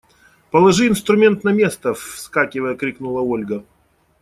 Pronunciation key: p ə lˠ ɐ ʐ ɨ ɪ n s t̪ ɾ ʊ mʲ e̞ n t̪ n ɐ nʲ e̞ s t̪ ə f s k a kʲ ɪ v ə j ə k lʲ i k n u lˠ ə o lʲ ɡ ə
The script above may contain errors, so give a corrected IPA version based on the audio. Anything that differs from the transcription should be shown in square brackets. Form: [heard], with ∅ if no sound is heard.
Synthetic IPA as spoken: p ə lˠ ɐ ʐ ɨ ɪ n s t̪ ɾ ʊ mʲ e̞ n t̪ n ɐ [mʲ] e̞ s t̪ ə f s k a kʲ ɪ v ə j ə k [ɾʲ] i k n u lˠ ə o lʲ ɡ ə

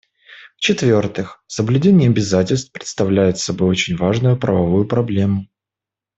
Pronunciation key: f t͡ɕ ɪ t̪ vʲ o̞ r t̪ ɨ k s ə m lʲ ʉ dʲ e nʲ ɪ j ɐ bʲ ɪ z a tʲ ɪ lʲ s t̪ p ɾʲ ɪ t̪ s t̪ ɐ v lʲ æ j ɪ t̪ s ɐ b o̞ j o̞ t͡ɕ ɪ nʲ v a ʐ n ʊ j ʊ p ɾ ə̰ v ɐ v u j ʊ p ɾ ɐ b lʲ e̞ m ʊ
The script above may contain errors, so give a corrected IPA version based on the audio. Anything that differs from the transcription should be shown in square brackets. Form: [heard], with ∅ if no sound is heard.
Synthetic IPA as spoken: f t͡ɕ ɪ t̪ vʲ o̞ r t̪ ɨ [x] s ə [b] lʲ ʉ dʲ e nʲ ɪ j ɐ bʲ ɪ z a tʲ ɪ lʲ s t̪ p ɾʲ ɪ t̪ s t̪ ɐ v lʲ æ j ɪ t̪ s ɐ b o̞ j o̞ t͡ɕ ɪ nʲ v a ʐ n ʊ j ʊ p ɾ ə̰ v ɐ v u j ʊ p ɾ ɐ b lʲ e̞ m ʊ

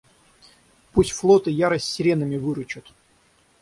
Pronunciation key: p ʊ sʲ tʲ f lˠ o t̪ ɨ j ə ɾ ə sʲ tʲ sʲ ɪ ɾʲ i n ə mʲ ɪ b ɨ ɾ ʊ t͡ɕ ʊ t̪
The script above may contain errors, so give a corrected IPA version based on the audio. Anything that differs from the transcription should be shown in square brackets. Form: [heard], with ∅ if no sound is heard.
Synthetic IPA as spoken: p [u] sʲ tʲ f lˠ o t̪ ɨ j [a] ɾ ə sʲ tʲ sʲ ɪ ɾʲ [e] n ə mʲ ɪ [v] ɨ ɾ ʊ t͡ɕ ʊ t̪

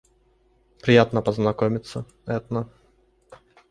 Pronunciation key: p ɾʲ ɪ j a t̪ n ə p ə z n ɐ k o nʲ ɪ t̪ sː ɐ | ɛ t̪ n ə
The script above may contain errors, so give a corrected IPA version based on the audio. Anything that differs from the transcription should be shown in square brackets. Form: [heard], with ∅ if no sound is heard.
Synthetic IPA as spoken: p ɾʲ ɪ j a t̪ n ə p ə z n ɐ k o [mʲ] ɪ t̪ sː [ə] | ɛ t̪ n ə

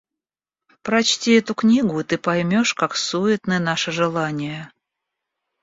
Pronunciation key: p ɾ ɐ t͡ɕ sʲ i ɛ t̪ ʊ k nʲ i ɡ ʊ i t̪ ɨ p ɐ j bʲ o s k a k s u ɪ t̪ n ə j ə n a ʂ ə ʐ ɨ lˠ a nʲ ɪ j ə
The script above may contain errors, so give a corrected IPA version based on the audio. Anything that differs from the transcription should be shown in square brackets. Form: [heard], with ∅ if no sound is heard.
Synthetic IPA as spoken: p ɾ ɐ t͡ɕ [tʲ] i ɛ t̪ ʊ k nʲ i ɡ ʊ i t̪ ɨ p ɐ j [mʲ] o [ʂ] k a k s u ɪ t̪ n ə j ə n a ʂ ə ʐ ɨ lˠ a nʲ ɪ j ə

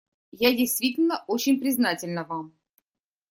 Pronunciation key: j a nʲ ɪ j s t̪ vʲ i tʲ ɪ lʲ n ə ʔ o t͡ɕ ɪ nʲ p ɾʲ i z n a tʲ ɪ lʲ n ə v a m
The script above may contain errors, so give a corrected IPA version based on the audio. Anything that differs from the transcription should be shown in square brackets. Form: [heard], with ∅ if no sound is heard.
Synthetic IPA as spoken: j a [dʲ] ɪ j s t̪ vʲ i tʲ ɪ lʲ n ə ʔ o t͡ɕ ɪ nʲ p ɾʲ [ɪ] z n a tʲ ɪ lʲ n ə v a m

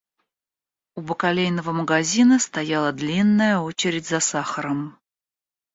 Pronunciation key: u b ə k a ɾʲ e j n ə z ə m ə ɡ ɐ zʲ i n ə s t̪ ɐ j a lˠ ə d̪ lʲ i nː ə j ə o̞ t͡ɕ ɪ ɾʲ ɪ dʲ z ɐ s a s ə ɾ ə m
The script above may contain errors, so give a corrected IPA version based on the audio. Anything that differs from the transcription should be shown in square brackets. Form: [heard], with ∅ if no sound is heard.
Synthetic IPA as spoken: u b ə k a [lʲ] e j n ə [v] ə m ə ɡ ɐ zʲ i n ə s t̪ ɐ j a lˠ ə d̪ lʲ i nː ə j ə o̞ t͡ɕ ɪ ɾʲ ɪ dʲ z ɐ s a [x] ə ɾ ə m

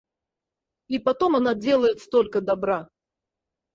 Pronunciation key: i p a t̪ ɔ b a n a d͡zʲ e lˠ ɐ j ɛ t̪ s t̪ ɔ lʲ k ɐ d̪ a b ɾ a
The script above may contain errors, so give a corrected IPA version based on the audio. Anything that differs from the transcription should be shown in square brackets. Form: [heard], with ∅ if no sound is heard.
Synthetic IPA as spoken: i p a t̪ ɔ [m] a n a d͡zʲ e lˠ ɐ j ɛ t̪ s t̪ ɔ lʲ k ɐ d̪ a b ɾ a

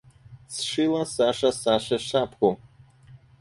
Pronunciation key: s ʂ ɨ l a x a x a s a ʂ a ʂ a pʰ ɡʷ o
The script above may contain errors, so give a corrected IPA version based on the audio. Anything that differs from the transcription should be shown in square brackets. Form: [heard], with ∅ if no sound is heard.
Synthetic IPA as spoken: s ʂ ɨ l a [s] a [ʂ] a s a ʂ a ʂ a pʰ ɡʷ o

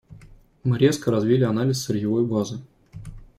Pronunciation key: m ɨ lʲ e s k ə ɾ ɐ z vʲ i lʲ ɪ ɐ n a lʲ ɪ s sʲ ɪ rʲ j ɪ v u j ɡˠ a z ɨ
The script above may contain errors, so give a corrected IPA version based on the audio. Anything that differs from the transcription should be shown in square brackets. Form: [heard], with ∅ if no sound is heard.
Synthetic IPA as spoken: m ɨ [ɾʲ] e s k ə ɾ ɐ z vʲ i lʲ ɪ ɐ n a lʲ ɪ s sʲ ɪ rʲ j ɪ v [o] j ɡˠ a z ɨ

